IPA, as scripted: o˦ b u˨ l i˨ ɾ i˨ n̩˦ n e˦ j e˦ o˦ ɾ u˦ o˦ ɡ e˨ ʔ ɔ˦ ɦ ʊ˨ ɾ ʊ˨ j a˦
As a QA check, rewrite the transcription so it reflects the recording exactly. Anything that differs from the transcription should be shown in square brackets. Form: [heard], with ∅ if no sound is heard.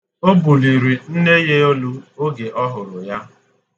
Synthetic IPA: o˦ b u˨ l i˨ ɾ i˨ n̩˦ n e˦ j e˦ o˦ [l] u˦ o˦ ɡ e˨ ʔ ɔ˦ ɦ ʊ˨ ɾ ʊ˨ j a˦